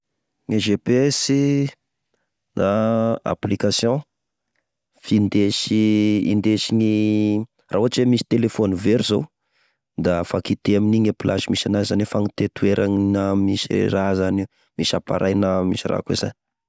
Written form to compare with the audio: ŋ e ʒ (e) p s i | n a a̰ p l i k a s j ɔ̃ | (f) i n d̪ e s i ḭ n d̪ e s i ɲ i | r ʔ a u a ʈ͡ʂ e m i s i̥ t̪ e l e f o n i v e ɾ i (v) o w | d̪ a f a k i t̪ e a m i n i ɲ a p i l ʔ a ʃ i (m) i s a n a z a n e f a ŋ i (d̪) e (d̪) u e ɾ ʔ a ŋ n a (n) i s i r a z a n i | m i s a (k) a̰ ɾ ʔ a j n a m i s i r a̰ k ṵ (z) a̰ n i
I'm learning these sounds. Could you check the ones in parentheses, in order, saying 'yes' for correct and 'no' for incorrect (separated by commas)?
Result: yes, yes, no, yes, no, no, no, no, yes